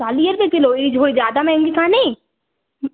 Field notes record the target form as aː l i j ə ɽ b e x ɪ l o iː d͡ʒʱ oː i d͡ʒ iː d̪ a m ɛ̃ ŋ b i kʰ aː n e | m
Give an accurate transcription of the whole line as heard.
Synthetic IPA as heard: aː l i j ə ɾ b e k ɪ l o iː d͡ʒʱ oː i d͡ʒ aː d̪ a m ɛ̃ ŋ ɡ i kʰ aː n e | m